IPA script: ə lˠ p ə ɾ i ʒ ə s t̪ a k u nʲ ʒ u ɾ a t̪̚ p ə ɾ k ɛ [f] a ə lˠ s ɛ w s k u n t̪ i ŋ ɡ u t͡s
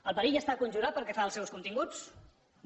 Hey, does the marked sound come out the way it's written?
yes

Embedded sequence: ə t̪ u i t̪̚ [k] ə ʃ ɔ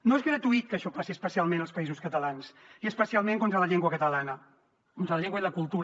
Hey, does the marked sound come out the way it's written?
yes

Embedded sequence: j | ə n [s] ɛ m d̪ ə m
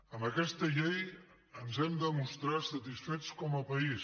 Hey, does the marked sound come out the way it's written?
no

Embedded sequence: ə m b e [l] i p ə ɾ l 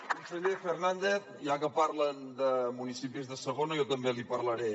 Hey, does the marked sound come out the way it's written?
yes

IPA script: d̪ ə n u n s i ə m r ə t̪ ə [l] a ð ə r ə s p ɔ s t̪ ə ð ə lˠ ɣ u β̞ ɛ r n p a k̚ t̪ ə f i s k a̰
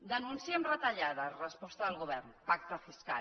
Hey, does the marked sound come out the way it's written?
no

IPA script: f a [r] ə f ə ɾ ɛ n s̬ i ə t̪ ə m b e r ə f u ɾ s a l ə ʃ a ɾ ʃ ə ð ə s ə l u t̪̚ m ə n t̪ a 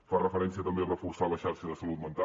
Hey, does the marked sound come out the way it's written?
yes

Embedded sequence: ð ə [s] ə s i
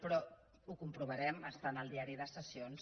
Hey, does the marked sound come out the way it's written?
yes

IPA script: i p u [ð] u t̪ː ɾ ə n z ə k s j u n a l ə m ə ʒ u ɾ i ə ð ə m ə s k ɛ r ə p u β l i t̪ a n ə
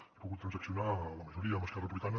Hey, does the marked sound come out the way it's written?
no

